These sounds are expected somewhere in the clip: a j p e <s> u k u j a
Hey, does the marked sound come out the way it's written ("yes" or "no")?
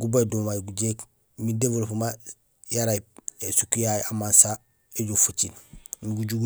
yes